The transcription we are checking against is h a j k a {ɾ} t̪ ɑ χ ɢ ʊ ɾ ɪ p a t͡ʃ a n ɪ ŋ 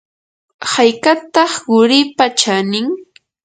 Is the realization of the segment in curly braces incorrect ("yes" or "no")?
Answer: yes